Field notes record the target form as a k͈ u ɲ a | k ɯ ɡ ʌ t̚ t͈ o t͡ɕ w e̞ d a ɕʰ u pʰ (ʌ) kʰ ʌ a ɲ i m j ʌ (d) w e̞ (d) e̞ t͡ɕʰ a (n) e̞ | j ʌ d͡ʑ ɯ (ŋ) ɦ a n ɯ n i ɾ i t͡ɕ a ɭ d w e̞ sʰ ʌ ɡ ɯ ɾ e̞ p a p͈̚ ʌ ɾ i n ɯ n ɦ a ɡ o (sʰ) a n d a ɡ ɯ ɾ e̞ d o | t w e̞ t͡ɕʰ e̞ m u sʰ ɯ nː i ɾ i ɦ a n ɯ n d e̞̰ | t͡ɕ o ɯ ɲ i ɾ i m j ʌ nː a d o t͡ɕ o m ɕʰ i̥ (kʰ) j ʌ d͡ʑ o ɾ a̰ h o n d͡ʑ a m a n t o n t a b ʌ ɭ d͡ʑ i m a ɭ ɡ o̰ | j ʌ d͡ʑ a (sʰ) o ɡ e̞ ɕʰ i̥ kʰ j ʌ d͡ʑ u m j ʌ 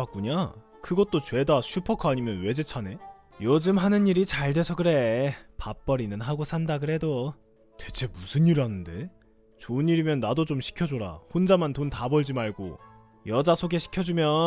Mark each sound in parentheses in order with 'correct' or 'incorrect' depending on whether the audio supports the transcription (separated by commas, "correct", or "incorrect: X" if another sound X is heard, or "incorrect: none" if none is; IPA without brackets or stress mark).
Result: correct, incorrect: n, incorrect: d͡ʑ, correct, incorrect: m, correct, correct, correct